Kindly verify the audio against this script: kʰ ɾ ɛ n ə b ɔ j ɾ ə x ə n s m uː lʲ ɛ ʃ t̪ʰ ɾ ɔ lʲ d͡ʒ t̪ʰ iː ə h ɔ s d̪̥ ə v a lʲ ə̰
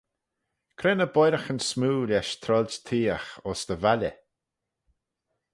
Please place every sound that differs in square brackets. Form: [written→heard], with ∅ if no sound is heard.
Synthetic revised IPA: kʰ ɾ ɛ n ə b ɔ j ɾ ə x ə n s m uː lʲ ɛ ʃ t̪ʰ ɾ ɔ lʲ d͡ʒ t̪ʰ iː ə [h→x] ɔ s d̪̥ ə v a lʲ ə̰